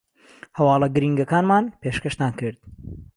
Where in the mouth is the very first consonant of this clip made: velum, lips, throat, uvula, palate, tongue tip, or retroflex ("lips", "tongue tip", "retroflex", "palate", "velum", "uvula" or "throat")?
throat